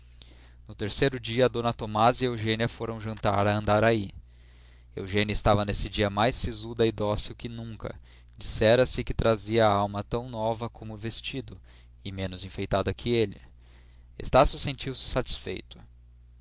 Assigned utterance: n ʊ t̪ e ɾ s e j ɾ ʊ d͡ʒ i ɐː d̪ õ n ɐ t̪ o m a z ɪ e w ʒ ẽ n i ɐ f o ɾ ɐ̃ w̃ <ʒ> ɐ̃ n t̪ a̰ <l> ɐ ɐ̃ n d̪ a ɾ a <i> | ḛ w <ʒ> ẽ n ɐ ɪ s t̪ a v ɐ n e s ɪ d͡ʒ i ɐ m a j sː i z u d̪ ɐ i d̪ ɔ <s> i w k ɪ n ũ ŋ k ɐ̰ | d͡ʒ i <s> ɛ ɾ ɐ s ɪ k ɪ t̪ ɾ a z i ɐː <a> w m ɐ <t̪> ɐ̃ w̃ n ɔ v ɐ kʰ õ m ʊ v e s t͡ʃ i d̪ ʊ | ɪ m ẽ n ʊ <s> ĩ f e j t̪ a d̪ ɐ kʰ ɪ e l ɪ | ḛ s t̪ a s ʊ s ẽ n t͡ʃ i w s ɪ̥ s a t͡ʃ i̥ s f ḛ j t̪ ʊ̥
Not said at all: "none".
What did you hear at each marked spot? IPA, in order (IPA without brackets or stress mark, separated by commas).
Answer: ʒ, ɾ, i, ʒ, s, s, a, t̪, z